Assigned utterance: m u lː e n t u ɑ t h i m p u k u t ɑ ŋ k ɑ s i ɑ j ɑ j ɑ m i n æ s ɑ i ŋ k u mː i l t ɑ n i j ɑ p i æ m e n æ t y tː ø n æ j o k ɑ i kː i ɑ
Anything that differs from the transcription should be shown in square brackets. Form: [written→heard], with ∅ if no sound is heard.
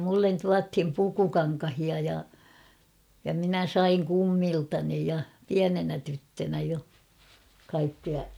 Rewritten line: m u lː e n t u ɑ t h i m p u k u [t→k] ɑ ŋ k ɑ [s→h] i ɑ j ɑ j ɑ m i n æ s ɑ i ŋ k u mː i l t ɑ n i j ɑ p i æ [m→n] e n æ t y tː ø n æ j o k ɑ i kː i ɑ